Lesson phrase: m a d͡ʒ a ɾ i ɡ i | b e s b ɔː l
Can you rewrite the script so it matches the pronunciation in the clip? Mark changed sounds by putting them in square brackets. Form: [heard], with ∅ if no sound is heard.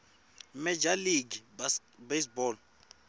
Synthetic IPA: m [ɛ] d͡ʒ a [l] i ɡ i | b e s b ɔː l